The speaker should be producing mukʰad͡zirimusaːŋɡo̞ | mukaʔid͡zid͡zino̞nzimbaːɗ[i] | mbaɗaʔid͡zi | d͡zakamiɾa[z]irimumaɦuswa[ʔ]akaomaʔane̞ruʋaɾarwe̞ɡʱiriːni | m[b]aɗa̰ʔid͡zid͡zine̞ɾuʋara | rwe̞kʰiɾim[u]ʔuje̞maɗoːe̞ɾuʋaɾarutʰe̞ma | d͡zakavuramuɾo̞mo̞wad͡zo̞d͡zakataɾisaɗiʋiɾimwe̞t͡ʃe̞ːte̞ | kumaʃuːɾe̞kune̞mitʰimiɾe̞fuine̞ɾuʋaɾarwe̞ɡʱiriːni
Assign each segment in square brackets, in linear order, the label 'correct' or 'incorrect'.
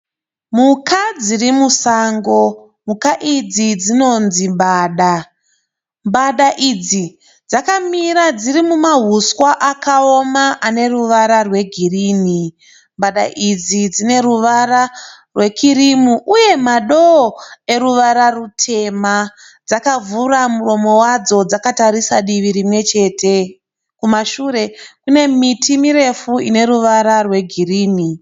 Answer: incorrect, incorrect, correct, correct, correct

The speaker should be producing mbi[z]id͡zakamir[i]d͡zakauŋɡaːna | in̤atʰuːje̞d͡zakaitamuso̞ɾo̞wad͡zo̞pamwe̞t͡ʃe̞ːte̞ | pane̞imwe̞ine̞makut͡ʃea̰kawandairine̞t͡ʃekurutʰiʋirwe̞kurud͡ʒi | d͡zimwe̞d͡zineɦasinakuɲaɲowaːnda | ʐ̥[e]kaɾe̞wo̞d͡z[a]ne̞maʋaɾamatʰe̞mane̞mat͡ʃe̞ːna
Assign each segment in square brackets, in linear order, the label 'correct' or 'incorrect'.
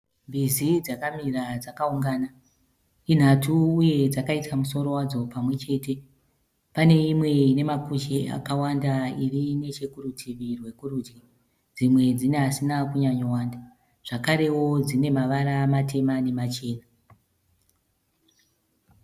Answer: correct, incorrect, incorrect, incorrect

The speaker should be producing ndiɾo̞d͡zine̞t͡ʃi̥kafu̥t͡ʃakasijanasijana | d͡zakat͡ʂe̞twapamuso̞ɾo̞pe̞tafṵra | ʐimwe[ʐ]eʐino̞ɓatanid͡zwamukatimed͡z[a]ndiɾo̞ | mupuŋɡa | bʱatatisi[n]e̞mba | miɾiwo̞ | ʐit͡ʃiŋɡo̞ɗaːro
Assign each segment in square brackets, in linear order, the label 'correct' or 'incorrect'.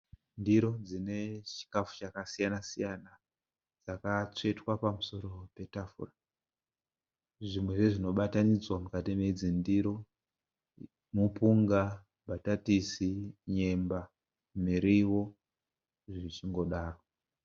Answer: correct, incorrect, incorrect

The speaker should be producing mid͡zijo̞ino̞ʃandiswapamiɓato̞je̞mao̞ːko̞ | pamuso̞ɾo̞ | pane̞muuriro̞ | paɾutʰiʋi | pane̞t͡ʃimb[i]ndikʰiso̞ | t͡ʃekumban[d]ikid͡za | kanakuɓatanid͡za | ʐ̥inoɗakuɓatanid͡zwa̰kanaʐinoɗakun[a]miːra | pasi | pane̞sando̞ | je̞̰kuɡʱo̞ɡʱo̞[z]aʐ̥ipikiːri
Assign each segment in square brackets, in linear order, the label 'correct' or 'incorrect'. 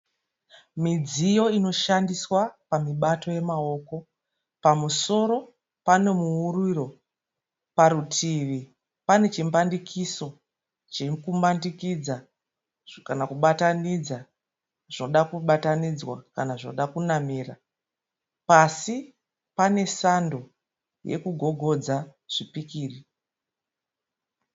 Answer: incorrect, correct, correct, incorrect

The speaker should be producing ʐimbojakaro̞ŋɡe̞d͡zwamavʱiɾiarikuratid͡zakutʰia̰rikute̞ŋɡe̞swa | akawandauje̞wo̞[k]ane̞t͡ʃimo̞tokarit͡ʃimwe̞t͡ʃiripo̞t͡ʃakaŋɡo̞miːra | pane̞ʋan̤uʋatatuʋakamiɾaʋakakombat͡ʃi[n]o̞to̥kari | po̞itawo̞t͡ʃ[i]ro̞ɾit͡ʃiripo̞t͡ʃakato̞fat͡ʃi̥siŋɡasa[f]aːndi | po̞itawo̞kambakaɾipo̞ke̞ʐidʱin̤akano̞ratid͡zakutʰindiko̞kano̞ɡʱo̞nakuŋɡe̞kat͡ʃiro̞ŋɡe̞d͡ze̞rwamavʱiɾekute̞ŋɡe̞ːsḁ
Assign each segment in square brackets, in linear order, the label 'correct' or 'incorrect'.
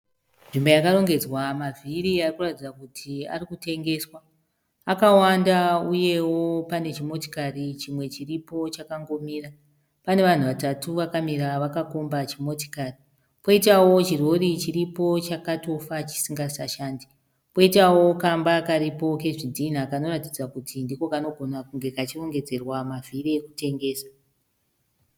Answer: incorrect, incorrect, correct, incorrect

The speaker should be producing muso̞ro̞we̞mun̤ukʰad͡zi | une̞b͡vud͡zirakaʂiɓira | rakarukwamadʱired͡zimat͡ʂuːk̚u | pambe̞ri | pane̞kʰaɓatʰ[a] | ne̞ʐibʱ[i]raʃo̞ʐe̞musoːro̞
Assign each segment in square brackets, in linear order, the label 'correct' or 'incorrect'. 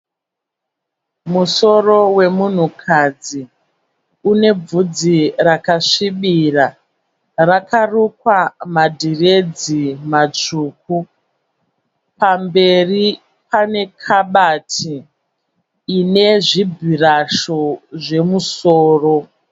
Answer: incorrect, correct

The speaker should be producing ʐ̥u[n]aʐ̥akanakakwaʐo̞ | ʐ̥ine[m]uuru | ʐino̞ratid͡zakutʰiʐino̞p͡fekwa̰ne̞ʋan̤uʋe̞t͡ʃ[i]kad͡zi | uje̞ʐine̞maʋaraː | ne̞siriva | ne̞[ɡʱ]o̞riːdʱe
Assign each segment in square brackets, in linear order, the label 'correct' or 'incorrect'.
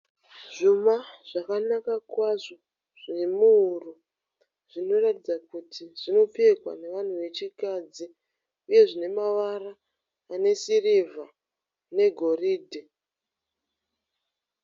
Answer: incorrect, correct, correct, correct

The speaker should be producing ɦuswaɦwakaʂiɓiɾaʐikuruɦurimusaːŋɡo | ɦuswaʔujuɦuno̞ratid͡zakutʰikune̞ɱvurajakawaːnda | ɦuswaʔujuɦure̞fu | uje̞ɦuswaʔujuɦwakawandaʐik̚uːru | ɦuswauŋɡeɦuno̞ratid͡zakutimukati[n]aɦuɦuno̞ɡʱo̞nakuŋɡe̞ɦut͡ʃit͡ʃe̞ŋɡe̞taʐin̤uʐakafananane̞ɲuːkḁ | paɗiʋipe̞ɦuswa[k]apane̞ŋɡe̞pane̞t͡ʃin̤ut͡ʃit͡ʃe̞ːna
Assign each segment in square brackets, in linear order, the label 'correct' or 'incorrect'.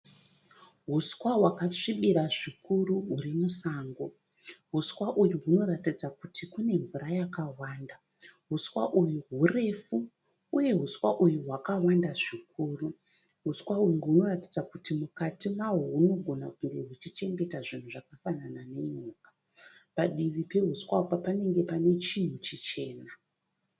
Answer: incorrect, incorrect

